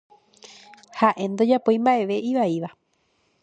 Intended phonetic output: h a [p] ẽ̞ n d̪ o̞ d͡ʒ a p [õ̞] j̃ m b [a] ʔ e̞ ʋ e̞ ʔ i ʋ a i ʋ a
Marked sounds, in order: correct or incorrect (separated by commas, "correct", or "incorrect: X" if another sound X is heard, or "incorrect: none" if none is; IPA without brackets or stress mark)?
incorrect: ʔ, incorrect: o̞, correct